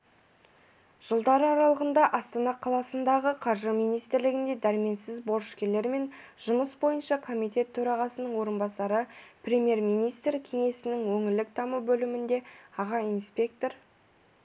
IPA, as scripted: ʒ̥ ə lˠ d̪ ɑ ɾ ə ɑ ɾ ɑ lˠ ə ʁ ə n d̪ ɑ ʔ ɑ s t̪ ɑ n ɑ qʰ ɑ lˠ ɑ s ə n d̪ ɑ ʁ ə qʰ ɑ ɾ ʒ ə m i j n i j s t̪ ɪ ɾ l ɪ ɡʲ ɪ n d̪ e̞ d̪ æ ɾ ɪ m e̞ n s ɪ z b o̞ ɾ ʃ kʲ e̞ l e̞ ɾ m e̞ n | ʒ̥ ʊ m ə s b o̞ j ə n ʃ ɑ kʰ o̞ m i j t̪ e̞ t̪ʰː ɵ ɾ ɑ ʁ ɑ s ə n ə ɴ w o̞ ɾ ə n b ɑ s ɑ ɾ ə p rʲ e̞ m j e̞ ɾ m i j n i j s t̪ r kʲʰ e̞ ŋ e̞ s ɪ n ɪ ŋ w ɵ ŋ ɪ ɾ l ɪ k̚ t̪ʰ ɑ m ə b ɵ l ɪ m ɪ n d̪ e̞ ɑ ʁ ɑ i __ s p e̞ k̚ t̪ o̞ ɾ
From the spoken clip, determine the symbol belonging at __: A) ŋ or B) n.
B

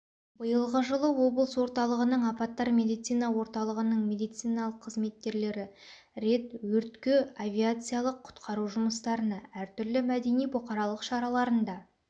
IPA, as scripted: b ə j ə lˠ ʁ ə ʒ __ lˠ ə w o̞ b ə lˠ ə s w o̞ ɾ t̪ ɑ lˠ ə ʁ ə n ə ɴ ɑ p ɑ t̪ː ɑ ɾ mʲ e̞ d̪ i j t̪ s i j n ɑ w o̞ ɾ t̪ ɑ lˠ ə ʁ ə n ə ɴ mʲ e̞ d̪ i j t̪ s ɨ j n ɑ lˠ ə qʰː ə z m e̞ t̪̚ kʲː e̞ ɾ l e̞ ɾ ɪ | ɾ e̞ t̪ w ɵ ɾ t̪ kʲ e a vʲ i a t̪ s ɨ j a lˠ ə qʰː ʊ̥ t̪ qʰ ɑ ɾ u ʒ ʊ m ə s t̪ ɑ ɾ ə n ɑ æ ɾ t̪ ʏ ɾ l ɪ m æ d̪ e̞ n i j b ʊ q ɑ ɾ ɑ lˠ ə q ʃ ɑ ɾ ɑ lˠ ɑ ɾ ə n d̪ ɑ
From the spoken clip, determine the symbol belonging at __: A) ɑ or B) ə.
B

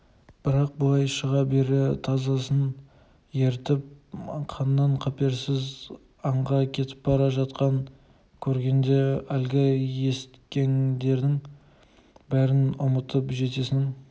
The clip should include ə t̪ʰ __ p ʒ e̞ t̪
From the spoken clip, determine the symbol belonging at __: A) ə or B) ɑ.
A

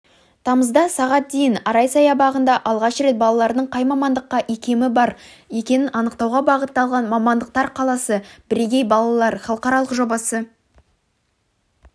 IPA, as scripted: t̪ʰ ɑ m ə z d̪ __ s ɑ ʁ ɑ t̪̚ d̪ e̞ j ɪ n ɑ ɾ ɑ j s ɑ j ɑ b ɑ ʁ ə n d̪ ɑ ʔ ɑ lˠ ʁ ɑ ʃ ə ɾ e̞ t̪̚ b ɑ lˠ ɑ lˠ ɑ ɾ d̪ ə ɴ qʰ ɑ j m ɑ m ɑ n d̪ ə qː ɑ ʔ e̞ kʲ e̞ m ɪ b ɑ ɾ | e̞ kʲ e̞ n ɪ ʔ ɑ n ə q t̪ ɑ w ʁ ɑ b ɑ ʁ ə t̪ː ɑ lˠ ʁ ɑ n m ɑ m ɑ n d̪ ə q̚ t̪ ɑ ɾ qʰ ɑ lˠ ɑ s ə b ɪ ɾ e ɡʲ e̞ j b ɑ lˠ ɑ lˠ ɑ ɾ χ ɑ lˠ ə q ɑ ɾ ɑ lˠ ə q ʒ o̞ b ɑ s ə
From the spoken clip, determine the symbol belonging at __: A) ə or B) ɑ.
B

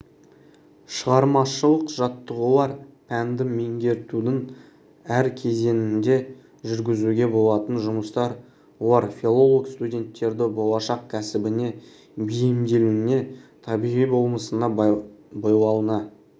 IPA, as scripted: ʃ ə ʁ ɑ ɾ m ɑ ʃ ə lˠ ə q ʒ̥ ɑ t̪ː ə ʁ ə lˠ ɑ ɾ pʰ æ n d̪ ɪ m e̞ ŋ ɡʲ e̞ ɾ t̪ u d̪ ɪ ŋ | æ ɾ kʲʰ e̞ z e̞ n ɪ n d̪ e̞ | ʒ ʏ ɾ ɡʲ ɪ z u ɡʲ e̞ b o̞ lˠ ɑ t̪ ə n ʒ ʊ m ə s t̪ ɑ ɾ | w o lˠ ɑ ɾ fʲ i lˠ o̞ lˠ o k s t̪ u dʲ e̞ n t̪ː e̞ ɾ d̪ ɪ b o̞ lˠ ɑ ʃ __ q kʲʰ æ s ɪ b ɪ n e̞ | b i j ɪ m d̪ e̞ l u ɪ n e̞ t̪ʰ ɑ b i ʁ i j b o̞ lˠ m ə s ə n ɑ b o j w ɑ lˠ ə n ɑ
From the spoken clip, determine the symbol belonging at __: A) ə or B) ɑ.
B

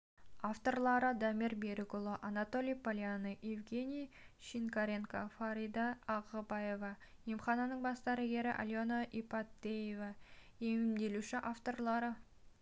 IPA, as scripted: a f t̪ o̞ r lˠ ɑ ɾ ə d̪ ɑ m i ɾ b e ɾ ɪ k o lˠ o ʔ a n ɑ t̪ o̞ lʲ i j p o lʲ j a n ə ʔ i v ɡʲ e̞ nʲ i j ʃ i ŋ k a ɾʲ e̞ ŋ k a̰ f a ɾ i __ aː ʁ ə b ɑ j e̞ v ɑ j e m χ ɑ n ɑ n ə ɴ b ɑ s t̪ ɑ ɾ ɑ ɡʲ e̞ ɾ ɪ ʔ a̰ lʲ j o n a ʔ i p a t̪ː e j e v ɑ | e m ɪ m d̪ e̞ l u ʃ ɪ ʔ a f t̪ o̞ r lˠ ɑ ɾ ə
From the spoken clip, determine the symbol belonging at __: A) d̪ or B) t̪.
A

